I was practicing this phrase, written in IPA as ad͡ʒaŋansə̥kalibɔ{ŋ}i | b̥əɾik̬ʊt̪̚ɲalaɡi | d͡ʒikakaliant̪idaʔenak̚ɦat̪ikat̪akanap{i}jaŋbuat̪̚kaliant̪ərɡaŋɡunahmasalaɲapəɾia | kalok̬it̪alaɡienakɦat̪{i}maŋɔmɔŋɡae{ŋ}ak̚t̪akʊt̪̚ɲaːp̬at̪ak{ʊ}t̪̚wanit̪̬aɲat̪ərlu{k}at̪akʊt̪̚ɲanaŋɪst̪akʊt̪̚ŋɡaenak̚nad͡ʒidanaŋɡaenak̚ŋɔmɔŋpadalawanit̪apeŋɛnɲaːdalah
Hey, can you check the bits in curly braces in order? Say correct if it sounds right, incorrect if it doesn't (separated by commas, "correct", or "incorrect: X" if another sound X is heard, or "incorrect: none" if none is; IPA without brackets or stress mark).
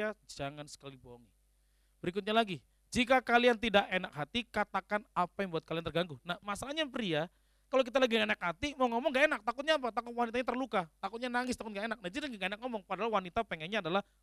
correct, incorrect: a, correct, incorrect: n, correct, correct